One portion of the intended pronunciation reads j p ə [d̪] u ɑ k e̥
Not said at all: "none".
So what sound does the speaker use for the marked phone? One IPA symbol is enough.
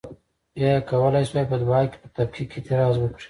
d̪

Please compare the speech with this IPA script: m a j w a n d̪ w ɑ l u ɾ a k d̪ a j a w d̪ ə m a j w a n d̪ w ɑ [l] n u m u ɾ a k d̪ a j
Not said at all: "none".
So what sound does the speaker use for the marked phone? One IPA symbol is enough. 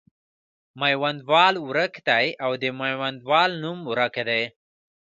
l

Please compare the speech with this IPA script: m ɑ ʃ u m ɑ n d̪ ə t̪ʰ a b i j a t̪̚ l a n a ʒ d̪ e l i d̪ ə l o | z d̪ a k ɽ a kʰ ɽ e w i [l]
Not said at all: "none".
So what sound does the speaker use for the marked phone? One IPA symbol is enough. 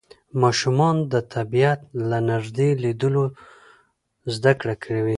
none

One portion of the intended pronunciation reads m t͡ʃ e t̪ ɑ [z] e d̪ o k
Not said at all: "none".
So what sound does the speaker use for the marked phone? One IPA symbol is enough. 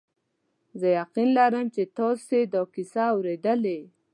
s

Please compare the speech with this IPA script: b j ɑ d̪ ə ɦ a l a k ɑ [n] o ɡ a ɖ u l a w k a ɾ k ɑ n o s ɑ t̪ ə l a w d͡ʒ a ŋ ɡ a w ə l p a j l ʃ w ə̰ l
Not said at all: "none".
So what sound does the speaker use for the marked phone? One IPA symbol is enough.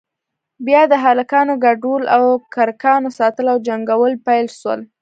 n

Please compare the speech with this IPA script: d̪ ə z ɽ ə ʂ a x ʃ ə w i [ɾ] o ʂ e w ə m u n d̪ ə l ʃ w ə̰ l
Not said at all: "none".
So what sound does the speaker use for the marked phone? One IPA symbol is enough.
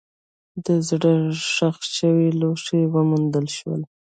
l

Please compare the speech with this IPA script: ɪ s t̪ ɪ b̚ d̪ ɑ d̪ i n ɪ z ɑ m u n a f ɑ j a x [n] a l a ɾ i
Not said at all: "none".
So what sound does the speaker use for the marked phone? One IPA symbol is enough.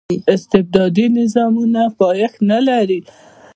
n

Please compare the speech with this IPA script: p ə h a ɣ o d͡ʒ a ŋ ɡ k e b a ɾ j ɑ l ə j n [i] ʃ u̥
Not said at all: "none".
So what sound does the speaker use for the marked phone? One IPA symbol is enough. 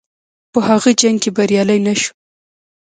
a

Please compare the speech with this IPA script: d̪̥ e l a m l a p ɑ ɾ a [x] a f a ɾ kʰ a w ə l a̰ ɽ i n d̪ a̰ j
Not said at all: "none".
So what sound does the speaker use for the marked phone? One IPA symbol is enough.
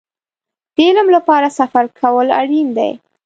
s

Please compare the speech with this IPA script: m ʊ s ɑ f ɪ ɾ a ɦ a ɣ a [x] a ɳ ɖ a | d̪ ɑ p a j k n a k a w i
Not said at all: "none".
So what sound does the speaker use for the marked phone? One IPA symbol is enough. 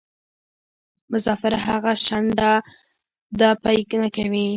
ʃ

